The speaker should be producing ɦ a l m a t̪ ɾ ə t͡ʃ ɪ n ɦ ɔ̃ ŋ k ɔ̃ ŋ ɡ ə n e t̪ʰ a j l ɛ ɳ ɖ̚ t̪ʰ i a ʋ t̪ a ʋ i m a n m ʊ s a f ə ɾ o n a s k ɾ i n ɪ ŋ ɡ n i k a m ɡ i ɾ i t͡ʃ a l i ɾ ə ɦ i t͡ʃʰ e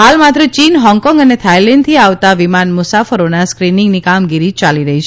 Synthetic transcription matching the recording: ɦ a l m a t̪ ɾ ə t͡ʃ i n ɦ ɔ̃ ŋ k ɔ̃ ŋ ɡ ə n e t̪ʰ a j l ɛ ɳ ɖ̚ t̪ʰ i a ʋ t̪ a ʋ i m a n m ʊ s a f ə ɾ o n a s k ɾ i n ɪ ŋ ɡ n i k a m ɡ i ɾ i t͡ʃ a l i ɾ ə ɦ i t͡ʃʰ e